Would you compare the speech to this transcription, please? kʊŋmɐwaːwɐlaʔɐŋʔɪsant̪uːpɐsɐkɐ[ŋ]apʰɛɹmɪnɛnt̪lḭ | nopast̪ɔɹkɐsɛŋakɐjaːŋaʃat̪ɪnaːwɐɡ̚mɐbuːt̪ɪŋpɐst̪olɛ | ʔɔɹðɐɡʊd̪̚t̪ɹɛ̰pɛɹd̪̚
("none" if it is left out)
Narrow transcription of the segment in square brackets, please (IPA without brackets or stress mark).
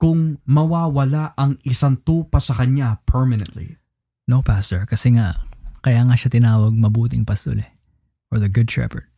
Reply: ɲ